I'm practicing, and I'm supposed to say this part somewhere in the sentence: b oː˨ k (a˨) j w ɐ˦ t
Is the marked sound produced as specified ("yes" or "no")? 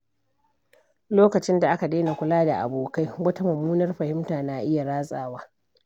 no